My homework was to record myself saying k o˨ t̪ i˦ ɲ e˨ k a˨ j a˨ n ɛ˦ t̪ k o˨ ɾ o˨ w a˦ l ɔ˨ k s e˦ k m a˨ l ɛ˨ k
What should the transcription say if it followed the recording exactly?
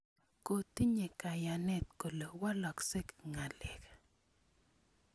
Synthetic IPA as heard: k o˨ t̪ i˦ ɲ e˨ k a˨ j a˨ n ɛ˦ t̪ k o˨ l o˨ w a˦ l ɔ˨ k s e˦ k ŋ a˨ l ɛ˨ k